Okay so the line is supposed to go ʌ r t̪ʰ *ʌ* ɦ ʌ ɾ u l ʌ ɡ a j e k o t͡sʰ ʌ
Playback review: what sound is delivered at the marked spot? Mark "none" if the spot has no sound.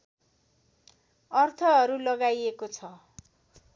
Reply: ʌ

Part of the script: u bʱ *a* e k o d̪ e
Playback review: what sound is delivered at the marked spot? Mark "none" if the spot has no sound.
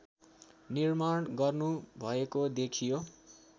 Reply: ʌ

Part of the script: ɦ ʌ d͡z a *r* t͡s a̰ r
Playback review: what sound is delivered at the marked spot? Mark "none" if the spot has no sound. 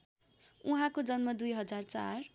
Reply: r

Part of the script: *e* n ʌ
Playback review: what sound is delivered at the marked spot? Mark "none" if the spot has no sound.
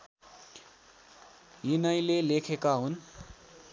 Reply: i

